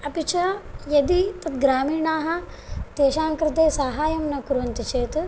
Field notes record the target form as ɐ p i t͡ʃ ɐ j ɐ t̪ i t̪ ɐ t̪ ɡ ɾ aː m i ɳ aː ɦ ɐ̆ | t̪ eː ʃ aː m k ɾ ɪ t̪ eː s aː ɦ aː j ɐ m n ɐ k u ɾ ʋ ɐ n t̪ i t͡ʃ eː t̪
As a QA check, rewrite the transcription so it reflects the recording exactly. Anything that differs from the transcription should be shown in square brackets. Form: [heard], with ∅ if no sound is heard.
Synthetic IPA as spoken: ɐ p i t͡ʃ ɐ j ɐ [d̪] i t̪ ɐ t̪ ɡ ɾ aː m [iː] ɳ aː ɦ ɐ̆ | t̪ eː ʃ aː [ŋ] k ɾ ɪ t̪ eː s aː ɦ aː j ɐ m n ɐ k u ɾ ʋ ɐ n t̪ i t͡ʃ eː t̪

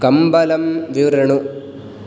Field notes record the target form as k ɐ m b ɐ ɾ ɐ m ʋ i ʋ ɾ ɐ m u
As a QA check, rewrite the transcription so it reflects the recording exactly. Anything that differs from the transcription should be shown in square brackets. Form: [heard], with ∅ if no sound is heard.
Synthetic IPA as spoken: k ɐ m b ɐ [l] ɐ m ʋ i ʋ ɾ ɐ [ɳ] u

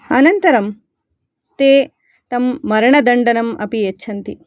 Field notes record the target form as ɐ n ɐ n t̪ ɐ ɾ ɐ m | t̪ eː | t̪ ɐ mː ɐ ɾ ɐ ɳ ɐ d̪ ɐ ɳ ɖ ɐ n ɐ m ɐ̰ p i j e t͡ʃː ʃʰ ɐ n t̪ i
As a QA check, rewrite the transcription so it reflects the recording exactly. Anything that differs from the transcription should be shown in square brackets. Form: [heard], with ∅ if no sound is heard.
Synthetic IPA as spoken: ɐ n ɐ n t̪ ɐ ɾ ɐ m | t̪ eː | t̪ ɐ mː ɐ ɾ ɐ ɳ ɐ d̪ ɐ ɳ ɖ ɐ n ɐ m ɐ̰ p i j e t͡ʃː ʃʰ ɐ n t̪ i

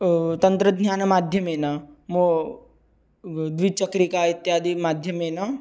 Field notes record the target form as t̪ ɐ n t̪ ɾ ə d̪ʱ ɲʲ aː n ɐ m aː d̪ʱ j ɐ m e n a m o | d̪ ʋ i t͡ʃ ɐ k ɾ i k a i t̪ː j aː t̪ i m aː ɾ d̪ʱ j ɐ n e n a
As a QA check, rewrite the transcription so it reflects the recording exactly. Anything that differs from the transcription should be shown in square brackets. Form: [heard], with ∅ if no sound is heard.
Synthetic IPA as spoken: t̪ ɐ n t̪ ɾ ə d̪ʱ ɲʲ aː n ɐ m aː d̪ʱ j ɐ m e n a m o | d̪ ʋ i t͡ʃ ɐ k ɾ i k a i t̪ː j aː [d̪] i m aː [∅] d̪ʱ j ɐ [m] e n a

